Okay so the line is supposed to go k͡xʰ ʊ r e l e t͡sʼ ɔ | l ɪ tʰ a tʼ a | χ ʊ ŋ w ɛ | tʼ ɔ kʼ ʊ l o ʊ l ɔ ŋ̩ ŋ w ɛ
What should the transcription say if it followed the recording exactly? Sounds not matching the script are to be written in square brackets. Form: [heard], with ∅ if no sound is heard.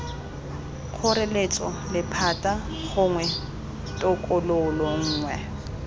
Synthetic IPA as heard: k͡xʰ ʊ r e l e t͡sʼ ɔ | l ɪ [pʰ] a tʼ a | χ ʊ ŋ w ɛ | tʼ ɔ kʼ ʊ l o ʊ l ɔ [ŋ̩ː] ŋ w ɛ